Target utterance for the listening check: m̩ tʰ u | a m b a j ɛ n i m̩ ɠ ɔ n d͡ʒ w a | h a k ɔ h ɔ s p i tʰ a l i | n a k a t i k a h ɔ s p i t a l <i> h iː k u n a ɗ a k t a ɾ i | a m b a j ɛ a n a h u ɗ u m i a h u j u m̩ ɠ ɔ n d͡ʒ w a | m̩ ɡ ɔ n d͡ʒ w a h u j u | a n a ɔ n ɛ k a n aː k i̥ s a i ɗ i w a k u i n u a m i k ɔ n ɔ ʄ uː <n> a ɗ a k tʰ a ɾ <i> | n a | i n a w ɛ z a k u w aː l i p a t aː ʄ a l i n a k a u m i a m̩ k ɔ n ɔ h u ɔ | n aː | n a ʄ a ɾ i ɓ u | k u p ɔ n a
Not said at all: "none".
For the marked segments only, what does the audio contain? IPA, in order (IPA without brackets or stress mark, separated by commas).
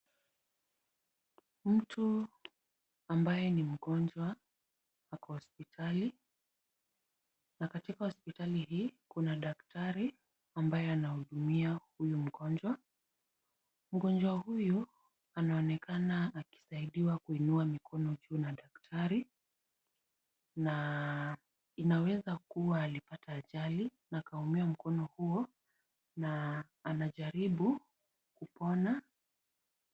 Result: i, n, i